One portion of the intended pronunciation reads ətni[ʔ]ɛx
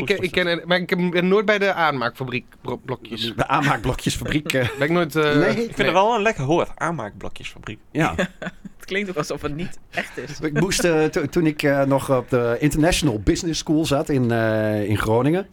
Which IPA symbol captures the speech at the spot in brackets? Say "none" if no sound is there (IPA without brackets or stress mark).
t